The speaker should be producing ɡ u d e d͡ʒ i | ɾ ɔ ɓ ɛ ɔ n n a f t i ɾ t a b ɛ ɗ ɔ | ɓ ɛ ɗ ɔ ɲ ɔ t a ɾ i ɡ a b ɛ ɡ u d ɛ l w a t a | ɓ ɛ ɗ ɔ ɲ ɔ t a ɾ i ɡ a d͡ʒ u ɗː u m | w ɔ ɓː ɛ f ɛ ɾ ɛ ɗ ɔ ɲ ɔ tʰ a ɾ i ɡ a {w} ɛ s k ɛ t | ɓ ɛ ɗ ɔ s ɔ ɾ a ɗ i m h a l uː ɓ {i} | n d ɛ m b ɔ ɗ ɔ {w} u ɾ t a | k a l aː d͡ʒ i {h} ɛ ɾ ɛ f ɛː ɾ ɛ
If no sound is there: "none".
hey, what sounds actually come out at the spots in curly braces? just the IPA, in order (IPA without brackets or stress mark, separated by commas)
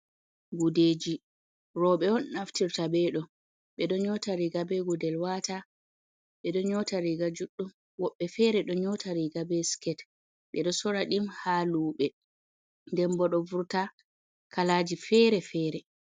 b, ɛ, v, f